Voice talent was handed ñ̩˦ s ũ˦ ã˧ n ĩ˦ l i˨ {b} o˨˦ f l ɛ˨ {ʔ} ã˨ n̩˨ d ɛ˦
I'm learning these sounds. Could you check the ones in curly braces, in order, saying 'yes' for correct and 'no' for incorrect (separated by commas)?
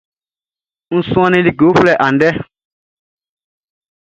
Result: no, yes